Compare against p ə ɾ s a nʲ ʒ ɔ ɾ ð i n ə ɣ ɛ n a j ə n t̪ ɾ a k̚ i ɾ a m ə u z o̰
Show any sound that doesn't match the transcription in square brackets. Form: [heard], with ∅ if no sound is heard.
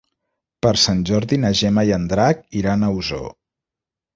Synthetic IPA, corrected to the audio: p ə ɾ s a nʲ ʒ ɔ ɾ ð i n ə [ʒ] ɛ [m] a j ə n [d̪] ɾ a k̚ i ɾ a [n] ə u z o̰